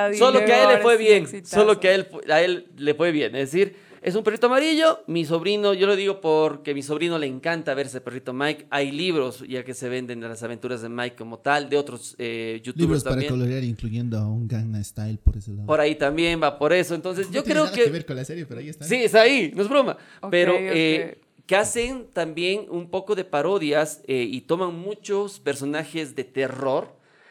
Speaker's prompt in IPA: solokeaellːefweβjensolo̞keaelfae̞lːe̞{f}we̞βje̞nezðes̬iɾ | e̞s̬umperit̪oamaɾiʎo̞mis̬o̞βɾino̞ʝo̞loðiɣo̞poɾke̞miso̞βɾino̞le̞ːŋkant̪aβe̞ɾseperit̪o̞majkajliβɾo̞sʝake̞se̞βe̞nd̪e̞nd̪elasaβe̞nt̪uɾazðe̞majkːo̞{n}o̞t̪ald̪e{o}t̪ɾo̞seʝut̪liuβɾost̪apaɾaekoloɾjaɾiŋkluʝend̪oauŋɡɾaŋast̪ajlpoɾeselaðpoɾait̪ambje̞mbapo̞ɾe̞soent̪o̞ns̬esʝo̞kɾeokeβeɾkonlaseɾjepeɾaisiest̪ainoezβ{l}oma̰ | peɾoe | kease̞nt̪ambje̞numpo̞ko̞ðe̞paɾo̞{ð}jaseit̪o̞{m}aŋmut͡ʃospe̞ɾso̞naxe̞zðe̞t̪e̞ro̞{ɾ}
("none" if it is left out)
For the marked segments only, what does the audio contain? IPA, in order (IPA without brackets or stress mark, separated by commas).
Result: f, m, o, ɾ, ð, m, ɾ